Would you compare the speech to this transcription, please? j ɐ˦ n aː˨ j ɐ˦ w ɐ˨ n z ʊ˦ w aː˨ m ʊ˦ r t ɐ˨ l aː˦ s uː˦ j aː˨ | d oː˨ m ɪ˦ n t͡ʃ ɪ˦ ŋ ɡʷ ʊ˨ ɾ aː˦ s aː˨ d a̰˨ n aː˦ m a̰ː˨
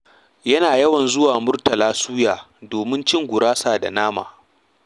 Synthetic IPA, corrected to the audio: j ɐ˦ n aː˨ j ɐ˦ w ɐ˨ n z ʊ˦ w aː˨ m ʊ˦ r t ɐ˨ l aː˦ s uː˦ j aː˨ | d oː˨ m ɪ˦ n t͡ʃ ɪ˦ ŋ ɡʷ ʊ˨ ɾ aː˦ s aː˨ d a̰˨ n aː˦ m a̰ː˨